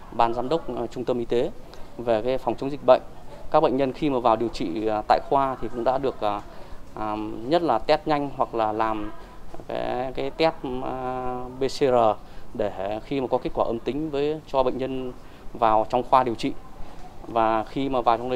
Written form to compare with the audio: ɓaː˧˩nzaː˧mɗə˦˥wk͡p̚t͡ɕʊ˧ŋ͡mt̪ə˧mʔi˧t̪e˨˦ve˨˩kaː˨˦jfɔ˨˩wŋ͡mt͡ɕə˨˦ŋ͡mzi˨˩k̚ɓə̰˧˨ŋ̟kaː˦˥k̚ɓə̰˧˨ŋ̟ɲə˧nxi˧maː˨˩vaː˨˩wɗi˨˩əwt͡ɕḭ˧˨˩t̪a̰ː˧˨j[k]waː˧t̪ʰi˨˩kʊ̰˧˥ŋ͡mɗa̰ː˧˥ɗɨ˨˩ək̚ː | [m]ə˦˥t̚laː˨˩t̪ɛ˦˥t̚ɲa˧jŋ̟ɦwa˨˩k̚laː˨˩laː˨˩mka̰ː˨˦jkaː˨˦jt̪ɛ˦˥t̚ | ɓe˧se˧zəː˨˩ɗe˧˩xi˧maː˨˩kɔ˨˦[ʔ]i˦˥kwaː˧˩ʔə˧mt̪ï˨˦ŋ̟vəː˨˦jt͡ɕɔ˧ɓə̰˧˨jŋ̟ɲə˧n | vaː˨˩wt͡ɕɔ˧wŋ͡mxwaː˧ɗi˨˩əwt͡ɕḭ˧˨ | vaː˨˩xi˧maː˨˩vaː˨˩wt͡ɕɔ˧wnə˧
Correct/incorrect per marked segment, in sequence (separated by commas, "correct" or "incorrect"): incorrect, incorrect, incorrect